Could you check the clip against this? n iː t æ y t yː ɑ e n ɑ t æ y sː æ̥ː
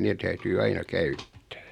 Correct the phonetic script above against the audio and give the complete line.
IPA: n eː t æ y t yː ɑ i n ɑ k æ y tː æ̥ː